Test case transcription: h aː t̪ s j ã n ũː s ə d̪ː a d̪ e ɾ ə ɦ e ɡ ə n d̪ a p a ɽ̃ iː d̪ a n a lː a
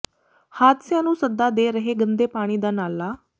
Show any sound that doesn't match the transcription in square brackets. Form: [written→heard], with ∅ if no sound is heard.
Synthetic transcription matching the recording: h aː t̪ s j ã n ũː s ə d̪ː a d̪ e ɾ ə ɦ e ɡ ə n d̪ [a→e] p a ɽ̃ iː d̪ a n a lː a